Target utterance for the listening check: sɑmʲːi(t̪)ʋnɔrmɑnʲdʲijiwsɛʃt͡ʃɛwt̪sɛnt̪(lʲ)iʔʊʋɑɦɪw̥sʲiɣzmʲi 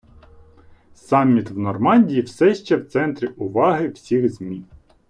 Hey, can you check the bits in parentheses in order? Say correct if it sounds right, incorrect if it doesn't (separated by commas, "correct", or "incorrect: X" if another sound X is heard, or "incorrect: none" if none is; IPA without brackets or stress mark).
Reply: correct, incorrect: ɾʲ